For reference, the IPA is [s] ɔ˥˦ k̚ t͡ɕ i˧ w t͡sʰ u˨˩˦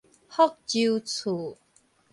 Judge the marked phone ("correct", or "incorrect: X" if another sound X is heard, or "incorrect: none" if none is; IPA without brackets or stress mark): incorrect: h